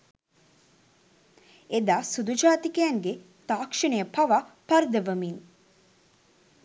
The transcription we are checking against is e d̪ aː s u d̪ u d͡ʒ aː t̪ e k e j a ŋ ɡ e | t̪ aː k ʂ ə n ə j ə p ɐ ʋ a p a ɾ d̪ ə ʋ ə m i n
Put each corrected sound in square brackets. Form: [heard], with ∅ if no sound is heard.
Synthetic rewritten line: e d̪ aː s u d̪ u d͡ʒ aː t̪ [i] k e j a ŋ ɡ e | t̪ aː k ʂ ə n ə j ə p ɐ ʋ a p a ɾ d̪ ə ʋ ə m i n